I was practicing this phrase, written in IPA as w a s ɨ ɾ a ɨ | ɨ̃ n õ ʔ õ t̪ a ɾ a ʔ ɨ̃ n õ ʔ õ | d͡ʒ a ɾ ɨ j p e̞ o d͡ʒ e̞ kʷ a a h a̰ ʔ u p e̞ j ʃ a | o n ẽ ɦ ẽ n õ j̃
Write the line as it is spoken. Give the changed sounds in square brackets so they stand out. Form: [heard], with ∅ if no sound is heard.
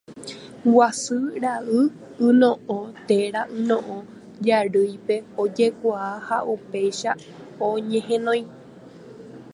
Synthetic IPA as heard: w a s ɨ ɾ a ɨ | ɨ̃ n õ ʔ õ t̪ [e] ɾ a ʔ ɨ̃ n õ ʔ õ | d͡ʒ a ɾ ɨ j p e̞ o d͡ʒ e̞ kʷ a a h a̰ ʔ u p e̞ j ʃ a | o [ɲ] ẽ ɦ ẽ n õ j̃

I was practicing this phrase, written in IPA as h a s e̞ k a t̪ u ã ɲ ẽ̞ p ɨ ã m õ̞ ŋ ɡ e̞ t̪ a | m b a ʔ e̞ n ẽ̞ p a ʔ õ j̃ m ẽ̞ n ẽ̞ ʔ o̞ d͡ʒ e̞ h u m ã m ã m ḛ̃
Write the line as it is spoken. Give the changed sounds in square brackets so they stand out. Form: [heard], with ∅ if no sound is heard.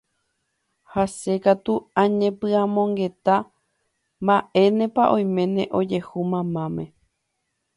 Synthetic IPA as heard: h a s e̞ k a t̪ u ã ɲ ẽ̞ p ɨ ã m õ̞ ŋ ɡ e̞ t̪ a | m b a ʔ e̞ n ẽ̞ p a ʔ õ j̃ m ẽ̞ n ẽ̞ ʔ o̞ d͡ʒ e̞ h u m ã m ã m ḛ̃

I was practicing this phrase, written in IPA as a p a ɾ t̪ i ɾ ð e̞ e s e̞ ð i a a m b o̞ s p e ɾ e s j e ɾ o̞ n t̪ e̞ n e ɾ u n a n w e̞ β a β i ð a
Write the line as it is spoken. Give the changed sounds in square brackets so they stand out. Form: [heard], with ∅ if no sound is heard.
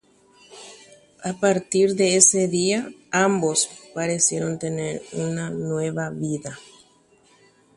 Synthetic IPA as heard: a p a ɾ t̪ i ɾ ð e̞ e s e̞ ð i a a m b o̞ s p [a] ɾ e s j e ɾ o̞ n t̪ e̞ n e ɾ u n a n w e̞ β a β i ð a

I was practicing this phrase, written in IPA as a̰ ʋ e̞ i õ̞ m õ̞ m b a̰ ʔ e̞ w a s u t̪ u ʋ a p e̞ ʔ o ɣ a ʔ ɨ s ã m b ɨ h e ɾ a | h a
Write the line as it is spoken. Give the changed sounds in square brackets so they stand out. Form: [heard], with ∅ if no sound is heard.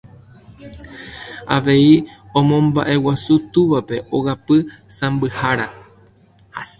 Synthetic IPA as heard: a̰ ʋ e̞ i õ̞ m õ̞ m b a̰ ʔ e̞ w a s u t̪ u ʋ a p e̞ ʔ o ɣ a [p] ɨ s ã m b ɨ h [a] ɾ a | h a

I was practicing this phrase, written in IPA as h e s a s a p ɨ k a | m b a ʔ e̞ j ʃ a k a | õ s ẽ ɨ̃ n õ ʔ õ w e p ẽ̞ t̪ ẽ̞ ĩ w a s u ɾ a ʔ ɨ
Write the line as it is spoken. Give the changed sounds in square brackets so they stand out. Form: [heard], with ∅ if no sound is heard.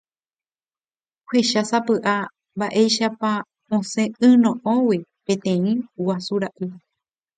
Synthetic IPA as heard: h e [ʃ] a s a p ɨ [ʔ] a | m b a ʔ e̞ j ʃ a [p] a | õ s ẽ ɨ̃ n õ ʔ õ w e p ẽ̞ t̪ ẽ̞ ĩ w a s u ɾ a ʔ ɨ

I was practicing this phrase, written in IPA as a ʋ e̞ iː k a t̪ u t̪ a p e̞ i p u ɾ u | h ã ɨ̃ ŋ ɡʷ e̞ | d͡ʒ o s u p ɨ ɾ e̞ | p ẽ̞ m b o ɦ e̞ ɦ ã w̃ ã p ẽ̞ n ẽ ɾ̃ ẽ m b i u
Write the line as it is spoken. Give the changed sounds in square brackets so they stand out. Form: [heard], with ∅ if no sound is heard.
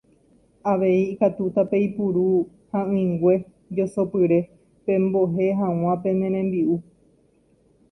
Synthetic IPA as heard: a ʋ e̞ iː k a t̪ u t̪ a p e̞ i p u ɾ u | h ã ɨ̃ ŋ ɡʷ e̞ | d͡ʒ o s [o] p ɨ ɾ e̞ | p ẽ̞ m b o ɦ e̞ ɦ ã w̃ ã p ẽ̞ n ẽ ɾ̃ ẽ m b i u

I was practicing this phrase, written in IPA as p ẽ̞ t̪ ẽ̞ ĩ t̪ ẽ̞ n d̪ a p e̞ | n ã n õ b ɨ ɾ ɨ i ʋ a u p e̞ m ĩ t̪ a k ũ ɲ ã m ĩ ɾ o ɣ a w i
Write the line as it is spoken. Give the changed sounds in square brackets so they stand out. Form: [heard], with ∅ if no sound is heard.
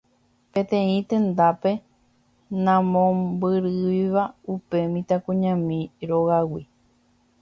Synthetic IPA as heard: p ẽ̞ t̪ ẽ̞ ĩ t̪ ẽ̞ n d̪ a p e̞ | n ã [m] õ b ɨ ɾ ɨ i ʋ a u p e̞ m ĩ t̪ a k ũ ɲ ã m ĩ ɾ o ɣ a w i

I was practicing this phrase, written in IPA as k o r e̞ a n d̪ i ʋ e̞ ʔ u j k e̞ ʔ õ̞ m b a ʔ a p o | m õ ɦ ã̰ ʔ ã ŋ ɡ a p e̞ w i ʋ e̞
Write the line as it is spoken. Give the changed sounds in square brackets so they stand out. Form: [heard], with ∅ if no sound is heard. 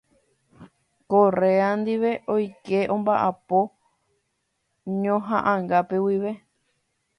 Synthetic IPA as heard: k o r e̞ a n d̪ i ʋ e̞ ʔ [o] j k e̞ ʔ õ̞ m b a ʔ a p o | [ɲ] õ ɦ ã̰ ʔ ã ŋ ɡ a p e̞ w i ʋ e̞

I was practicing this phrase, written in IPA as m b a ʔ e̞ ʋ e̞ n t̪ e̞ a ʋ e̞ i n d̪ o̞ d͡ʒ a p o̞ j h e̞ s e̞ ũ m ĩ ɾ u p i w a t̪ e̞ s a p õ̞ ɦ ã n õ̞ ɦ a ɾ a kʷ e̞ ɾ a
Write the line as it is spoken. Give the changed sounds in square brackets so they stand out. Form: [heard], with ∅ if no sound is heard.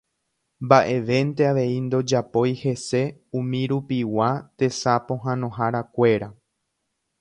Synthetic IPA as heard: m b a ʔ e̞ ʋ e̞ n t̪ e̞ a ʋ e̞ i n d̪ o̞ d͡ʒ a p o̞ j h e̞ s e̞ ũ m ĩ ɾ u p i w a t̪ e̞ s a p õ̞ ɦ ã n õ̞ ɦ a ɾ a kʷ e̞ ɾ a

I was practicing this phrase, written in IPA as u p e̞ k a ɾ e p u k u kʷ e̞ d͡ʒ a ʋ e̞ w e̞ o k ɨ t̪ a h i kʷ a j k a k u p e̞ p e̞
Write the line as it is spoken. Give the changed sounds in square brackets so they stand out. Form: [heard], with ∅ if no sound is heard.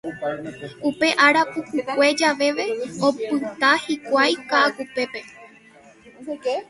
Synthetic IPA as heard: u p e̞ [ʔ] a ɾ [a] p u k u kʷ e̞ d͡ʒ a ʋ e̞ [ʋ] e̞ o [p] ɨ t̪ a h i kʷ a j k a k u p e̞ p e̞

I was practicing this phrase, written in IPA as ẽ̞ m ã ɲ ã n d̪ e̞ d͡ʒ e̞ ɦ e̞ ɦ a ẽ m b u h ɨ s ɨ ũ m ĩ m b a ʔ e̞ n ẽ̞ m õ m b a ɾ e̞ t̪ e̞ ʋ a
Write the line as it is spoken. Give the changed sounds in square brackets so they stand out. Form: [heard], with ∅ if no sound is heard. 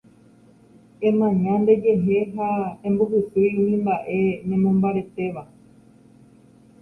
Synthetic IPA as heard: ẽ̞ m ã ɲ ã n d̪ e̞ d͡ʒ e̞ ɦ e̞ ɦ a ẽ m b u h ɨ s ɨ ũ m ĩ m b a ʔ e̞ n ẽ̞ m õ m b a ɾ e̞ t̪ e̞ ʋ a

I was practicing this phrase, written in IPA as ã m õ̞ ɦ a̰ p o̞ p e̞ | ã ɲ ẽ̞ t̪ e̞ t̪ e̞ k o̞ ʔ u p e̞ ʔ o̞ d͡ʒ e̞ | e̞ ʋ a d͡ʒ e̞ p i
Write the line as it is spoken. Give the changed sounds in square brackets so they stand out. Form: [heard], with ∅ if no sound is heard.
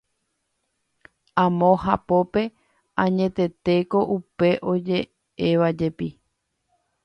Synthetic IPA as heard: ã m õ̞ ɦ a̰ p o̞ p e̞ | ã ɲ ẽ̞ t̪ e̞ t̪ e̞ k o̞ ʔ u p e̞ ʔ o̞ d͡ʒ e̞ | e̞ ʋ a d͡ʒ e̞ p i

